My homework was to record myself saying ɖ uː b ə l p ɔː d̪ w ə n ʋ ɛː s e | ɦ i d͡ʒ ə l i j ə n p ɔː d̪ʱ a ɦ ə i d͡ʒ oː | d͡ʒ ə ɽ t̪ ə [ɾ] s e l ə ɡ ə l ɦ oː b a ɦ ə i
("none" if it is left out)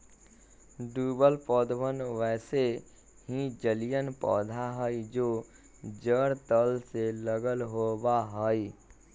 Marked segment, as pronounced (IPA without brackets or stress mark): l